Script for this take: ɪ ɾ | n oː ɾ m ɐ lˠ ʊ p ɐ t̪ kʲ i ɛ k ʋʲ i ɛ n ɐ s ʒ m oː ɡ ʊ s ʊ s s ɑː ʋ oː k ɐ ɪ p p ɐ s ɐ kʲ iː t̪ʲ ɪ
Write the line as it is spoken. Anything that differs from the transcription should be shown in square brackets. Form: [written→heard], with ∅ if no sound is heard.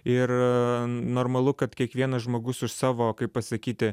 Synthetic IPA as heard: ɪ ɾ | n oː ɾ m ɐ lˠ ʊ [p→k] ɐ t̪ kʲ i ɛ k ʋʲ i ɛ n ɐ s ʒ m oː ɡ ʊ s ʊ [s→ʃ] s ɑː ʋ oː k ɐ ɪ p p ɐ s ɐ kʲ iː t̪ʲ ɪ